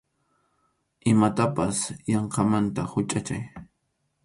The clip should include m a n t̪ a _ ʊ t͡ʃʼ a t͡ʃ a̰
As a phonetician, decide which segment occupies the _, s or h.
h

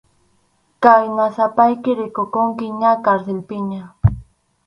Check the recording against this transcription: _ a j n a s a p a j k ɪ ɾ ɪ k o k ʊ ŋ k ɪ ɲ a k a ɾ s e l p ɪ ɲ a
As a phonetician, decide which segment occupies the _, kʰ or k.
k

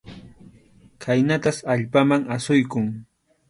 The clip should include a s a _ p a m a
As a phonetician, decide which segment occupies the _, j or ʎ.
ʎ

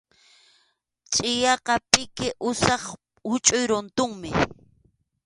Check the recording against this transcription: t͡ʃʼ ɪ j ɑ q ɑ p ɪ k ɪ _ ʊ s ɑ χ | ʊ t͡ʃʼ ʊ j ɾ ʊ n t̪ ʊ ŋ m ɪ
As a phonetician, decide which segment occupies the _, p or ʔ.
ʔ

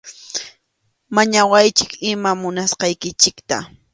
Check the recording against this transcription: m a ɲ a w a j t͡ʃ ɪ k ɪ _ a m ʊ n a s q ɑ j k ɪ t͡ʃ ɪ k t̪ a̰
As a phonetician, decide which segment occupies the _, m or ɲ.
m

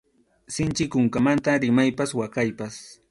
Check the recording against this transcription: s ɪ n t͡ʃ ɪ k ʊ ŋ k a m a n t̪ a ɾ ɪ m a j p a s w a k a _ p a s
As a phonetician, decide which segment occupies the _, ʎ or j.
j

